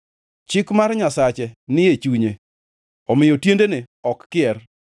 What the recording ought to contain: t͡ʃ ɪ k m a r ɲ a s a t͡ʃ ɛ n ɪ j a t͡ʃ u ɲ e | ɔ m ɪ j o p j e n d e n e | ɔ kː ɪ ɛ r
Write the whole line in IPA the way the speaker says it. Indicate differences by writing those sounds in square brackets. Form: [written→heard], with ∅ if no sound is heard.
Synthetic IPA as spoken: t͡ʃ ɪ k m a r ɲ a s a t͡ʃ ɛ n ɪ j [a→e] t͡ʃ u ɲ e | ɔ m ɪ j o [p→t] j e n d e n e | ɔ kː ɪ ɛ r

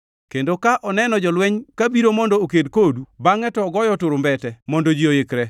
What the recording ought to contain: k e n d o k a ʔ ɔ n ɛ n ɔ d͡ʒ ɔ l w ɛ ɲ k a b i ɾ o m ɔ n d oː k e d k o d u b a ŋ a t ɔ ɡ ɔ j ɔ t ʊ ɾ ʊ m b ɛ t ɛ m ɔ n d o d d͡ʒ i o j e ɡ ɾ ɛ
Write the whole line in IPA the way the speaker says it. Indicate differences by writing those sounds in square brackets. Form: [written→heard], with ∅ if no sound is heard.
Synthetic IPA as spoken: k e n d o k a ʔ ɔ n ɛ n ɔ d͡ʒ ɔ l w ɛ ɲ k a b i ɾ o m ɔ n d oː k e d k o d u b a ŋ [a→ɛ] t ɔ ɡ ɔ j ɔ t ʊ ɾ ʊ m b ɛ t ɛ m ɔ n d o [d→∅] d͡ʒ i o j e [ɡ→k] ɾ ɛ

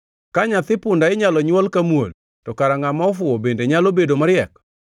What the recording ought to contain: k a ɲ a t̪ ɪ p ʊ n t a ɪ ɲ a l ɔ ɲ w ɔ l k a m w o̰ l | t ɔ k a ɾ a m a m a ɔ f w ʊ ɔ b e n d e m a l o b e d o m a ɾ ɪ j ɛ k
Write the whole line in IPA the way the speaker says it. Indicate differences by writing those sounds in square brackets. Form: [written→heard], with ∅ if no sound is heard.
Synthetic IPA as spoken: k a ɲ a t̪ ɪ p ʊ n [t→d] a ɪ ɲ a l ɔ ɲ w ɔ l k a m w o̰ l | t ɔ k a ɾ a [m→ŋ] a m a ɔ f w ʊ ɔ b e n d e [m→ɲ] a l o b e d o m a ɾ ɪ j ɛ k

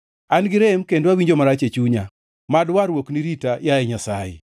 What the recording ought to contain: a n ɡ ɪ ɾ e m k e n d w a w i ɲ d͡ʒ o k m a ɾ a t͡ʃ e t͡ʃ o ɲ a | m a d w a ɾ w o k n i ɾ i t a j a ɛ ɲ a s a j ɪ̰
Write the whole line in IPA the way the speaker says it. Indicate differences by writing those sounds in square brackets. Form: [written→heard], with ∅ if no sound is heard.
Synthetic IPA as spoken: a n ɡ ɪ ɾ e m k e n d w a w i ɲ d͡ʒ o [k→∅] m a ɾ a t͡ʃ e t͡ʃ [o→u] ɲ a | m a d w a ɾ w o k n i ɾ i t a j a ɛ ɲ a s a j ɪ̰

